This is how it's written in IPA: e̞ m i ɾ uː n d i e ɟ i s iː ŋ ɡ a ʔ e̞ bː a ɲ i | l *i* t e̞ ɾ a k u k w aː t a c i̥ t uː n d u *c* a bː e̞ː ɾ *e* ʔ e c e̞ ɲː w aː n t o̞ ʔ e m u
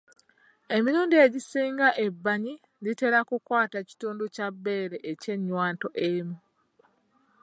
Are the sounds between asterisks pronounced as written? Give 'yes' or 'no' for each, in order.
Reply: yes, yes, yes

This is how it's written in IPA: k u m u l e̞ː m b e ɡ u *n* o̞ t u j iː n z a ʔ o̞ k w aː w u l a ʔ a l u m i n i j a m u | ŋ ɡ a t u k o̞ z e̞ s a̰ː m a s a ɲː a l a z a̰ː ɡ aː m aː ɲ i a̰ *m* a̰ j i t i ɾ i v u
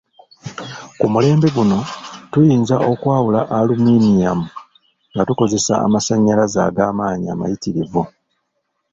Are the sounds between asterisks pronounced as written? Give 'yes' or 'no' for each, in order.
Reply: yes, yes

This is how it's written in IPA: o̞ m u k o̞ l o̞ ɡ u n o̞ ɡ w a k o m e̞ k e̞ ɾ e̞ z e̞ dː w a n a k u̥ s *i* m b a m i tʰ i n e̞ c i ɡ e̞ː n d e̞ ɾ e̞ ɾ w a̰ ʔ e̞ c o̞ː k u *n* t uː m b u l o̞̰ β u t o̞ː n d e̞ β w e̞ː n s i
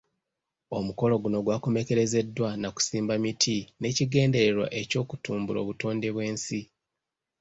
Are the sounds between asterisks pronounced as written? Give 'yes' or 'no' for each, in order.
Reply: no, no

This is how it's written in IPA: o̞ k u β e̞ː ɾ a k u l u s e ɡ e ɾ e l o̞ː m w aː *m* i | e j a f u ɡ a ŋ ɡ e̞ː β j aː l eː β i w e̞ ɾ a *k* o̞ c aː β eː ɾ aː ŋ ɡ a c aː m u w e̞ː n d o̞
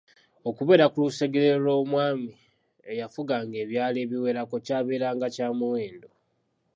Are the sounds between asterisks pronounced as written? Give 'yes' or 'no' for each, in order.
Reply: yes, yes

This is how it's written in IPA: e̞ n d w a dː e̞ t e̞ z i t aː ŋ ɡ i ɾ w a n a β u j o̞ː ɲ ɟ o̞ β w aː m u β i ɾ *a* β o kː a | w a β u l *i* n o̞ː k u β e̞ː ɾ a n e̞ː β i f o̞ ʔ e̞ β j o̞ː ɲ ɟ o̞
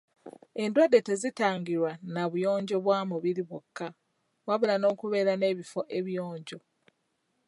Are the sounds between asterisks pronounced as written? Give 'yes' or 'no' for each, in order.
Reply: no, no

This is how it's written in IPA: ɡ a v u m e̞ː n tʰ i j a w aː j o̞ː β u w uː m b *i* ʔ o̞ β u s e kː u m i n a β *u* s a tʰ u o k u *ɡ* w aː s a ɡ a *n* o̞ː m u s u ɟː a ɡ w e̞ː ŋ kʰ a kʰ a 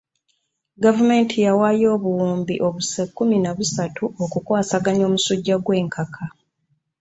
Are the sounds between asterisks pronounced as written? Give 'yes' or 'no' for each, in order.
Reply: yes, yes, no, no

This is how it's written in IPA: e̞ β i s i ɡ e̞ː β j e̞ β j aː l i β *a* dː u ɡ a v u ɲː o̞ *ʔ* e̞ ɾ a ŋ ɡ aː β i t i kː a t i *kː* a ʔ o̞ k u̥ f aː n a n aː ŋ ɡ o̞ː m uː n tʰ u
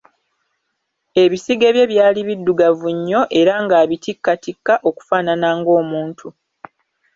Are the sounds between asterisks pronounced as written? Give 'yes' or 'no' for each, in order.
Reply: no, yes, yes

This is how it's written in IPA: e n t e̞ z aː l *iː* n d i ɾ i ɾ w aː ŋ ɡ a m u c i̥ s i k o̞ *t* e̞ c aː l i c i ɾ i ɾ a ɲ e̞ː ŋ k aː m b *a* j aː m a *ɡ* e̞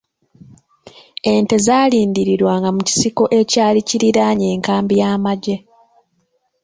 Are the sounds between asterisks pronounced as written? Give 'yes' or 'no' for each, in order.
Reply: yes, no, no, no

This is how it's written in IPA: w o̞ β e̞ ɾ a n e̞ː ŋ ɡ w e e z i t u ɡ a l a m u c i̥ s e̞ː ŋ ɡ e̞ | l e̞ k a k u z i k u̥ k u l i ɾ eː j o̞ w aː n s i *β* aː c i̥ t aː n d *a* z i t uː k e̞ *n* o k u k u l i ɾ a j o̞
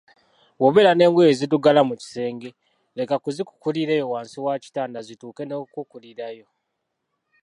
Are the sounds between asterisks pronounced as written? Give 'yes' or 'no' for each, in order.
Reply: no, yes, yes

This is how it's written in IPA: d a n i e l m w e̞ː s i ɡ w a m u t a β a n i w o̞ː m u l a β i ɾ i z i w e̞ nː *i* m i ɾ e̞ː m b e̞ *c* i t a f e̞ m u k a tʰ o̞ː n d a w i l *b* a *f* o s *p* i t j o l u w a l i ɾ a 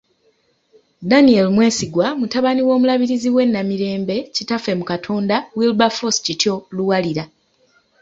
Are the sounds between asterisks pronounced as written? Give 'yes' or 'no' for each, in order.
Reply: no, yes, yes, yes, no

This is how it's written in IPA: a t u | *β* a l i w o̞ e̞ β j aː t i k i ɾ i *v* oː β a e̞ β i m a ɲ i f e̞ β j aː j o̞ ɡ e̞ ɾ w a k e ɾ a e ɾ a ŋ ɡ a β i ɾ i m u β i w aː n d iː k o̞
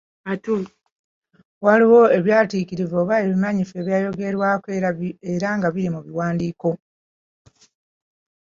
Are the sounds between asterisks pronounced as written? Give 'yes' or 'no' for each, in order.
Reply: no, yes

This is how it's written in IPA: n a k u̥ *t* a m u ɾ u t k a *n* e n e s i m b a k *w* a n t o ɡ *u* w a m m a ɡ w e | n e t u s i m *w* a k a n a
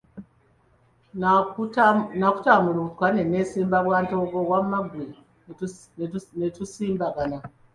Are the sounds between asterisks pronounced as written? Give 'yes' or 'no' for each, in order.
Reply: yes, yes, yes, no, no

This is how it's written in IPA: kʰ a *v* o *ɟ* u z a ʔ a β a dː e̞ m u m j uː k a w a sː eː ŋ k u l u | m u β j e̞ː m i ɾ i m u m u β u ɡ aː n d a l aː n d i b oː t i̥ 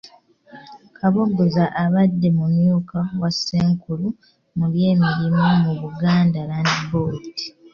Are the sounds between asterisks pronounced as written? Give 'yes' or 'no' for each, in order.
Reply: no, no

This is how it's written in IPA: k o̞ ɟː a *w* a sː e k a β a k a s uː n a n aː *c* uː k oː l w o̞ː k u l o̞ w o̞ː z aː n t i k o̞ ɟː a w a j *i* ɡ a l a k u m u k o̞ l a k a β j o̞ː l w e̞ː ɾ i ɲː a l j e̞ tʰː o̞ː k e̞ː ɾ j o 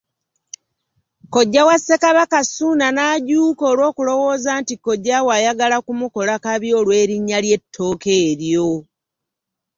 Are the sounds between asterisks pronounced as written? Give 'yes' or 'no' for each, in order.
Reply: yes, no, no

